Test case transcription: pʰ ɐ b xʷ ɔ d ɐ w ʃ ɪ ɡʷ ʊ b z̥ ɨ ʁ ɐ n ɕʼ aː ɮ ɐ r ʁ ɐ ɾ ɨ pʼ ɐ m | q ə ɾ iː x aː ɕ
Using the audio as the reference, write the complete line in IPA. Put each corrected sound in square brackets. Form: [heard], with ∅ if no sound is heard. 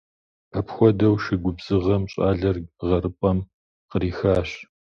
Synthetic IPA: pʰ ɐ [p] xʷ ɔ d ɐ w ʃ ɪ ɡʷ ʊ b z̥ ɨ ʁ ɐ [m] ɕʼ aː ɮ ɐ r ʁ ɐ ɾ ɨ pʼ ɐ m | q ə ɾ iː x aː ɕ